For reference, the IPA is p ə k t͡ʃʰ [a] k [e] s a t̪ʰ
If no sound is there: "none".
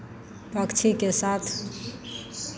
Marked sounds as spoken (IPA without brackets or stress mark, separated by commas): i, e